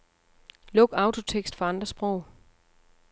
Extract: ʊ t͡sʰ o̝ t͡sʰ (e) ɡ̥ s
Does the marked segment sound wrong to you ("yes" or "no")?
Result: no